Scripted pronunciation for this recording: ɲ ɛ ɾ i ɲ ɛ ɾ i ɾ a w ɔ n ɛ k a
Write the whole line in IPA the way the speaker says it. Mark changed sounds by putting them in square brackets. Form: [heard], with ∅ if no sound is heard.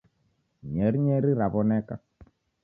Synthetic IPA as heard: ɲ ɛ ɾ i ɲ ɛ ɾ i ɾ a [β] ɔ n ɛ k a